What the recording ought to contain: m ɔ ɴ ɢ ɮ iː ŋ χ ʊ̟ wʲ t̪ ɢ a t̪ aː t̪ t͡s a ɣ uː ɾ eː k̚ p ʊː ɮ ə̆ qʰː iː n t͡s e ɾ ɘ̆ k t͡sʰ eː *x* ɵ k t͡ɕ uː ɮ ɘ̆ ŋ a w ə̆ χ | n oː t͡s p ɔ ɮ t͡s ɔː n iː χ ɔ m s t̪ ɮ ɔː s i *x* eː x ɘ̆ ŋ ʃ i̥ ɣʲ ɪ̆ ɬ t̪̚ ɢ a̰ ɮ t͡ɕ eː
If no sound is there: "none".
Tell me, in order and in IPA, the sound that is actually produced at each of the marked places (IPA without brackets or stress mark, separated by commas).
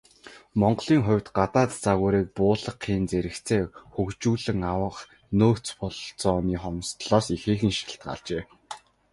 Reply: x, x